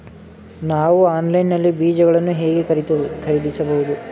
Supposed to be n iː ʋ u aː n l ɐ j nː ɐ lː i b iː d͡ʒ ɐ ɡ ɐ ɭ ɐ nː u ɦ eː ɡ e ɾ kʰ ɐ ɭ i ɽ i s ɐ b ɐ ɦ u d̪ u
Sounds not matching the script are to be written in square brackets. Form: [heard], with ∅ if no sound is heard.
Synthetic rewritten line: n [aː] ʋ u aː n l ɐ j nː ɐ lː i b iː d͡ʒ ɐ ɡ ɐ ɭ ɐ nː u ɦ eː ɡ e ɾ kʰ ɐ [ɾ] i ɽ i s ɐ b ɐ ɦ u d̪ u